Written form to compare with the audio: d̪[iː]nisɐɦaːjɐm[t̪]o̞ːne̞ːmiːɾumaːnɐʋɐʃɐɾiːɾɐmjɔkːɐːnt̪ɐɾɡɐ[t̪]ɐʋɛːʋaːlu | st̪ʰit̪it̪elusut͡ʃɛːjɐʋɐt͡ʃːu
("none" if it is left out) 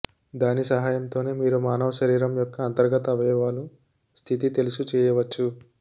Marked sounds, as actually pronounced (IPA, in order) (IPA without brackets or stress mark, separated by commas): aː, t̪, t̪